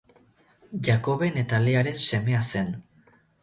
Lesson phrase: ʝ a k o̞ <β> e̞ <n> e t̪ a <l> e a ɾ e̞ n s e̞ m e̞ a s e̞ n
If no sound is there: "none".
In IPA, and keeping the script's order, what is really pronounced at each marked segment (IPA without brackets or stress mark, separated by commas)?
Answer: β, n, l